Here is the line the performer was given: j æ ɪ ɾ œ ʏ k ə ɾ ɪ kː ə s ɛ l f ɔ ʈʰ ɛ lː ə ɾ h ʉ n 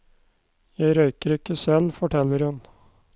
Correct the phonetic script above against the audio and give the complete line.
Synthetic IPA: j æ ɪ ɾ œ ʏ k ə ɾ ɪ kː ə s ɛ l f ɔ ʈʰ ɛ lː ə ɾ h ʉ n